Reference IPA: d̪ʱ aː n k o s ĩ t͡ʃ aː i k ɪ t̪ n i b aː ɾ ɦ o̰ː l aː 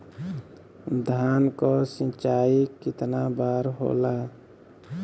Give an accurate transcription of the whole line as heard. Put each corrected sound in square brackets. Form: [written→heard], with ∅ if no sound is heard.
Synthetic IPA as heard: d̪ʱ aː n k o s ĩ t͡ʃ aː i k ɪ t̪ n [i→a] b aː ɾ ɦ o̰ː l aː